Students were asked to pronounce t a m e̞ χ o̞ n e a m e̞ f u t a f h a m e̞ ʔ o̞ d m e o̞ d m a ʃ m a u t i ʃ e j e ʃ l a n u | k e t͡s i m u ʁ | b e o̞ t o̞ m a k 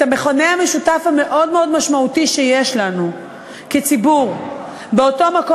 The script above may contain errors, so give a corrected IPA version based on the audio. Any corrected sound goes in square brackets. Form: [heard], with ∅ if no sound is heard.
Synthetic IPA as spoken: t a m e̞ χ o̞ n e a m e̞ [ʃ] u t a f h a m e̞ ʔ o̞ d m e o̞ d m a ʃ m a u t i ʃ e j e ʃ l a n u | k e t͡s i [b] u ʁ | b e o̞ t o̞ m a k